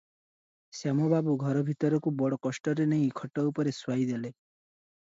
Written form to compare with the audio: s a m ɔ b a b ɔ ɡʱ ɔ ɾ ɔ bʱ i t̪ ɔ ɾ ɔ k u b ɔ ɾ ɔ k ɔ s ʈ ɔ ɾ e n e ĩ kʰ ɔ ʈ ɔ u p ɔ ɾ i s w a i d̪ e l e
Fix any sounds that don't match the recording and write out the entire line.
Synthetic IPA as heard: s a m ɔ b a b u ɡʱ ɔ ɾ ɔ bʱ i t̪ ɔ ɾ ɔ k u b ɔ ɽ ɔ k ɔ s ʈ ɔ ɾ e n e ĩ kʰ ɔ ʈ ɔ u p ɔ ɾ e s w a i d̪ e l e